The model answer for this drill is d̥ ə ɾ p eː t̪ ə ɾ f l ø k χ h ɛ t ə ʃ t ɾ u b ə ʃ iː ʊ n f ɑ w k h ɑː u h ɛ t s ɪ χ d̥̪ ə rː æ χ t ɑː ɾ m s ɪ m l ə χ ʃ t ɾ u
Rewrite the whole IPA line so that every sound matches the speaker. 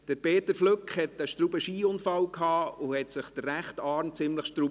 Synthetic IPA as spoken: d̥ ə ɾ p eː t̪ ə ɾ f l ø k χ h ɛ t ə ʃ t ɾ u b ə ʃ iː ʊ n f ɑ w k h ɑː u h ɛ t s ɪ χ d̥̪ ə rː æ χ t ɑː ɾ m t͡s ɪ m l ə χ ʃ t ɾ u